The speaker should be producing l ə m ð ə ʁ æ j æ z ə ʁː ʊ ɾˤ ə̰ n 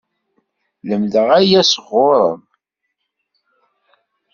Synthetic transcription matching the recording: l ə m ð ə ʁ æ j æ s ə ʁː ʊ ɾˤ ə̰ m